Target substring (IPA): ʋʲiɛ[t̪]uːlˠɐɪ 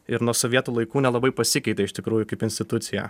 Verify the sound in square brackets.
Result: correct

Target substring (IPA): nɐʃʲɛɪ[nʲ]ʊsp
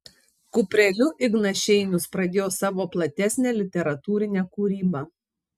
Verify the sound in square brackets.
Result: correct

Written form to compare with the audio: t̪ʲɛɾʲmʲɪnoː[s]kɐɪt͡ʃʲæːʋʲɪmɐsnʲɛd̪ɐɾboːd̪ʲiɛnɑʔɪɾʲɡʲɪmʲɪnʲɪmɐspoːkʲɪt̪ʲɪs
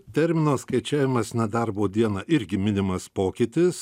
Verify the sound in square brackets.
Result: correct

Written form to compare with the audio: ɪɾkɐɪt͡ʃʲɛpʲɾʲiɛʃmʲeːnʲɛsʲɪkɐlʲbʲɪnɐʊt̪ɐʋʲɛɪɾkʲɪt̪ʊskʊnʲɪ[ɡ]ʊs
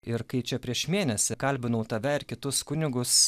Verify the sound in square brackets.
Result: correct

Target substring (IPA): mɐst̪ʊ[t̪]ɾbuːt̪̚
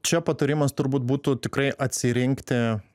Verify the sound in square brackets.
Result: incorrect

